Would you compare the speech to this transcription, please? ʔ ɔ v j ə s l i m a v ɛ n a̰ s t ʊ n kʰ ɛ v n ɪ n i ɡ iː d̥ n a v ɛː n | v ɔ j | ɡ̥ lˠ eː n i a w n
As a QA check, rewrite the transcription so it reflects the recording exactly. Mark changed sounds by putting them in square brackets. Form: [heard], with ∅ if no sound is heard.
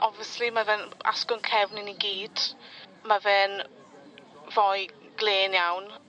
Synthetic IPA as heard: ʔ ɔ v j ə s l i m a v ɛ n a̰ s [k] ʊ n kʰ ɛ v n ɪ n i ɡ iː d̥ [m] a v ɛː n | v ɔ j | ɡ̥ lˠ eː n [j] a w n